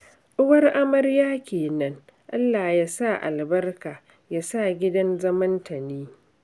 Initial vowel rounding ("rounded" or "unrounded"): rounded